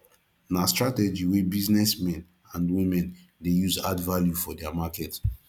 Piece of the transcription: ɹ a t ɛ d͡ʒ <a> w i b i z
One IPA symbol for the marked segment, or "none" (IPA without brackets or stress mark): i